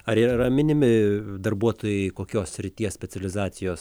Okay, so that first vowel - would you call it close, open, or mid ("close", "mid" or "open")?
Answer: open